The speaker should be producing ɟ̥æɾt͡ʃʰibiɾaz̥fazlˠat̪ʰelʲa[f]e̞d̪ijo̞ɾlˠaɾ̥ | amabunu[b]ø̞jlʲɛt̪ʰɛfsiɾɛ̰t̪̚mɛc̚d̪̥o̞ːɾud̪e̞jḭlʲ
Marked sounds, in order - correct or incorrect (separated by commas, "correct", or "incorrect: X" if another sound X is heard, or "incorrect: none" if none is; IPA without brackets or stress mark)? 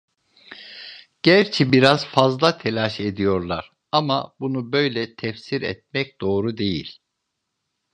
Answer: incorrect: ʃ, correct